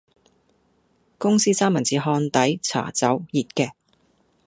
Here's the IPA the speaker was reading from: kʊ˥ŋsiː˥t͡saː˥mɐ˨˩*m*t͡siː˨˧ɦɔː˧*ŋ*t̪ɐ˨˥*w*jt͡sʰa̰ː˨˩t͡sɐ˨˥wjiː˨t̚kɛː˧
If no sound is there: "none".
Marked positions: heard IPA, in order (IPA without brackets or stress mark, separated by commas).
n, n, none